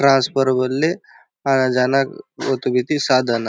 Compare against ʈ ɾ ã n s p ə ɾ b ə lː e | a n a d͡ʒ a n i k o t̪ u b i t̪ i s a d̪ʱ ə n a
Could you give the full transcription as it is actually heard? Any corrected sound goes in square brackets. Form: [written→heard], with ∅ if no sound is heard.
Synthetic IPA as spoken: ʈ ɾ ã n s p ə ɾ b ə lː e | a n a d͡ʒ a n [i→a] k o t̪ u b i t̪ i s a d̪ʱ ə n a